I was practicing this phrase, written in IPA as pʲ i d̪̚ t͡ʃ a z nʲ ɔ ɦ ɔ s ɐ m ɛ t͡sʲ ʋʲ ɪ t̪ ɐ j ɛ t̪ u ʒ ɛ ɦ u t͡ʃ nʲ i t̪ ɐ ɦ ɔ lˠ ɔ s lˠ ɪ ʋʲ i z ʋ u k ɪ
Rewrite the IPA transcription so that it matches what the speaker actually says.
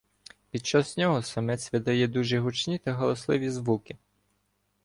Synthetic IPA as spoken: pʲ i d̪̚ t͡ʃ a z nʲ ɔ ɦ ɔ s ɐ m ɛ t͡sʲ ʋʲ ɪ d̪ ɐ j ɛ d̪ u ʒ ɛ ɦ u t͡ʃ nʲ i t̪ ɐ ɦ ɔ lˠ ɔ s lˠ ɪ ʋʲ i z ʋ u k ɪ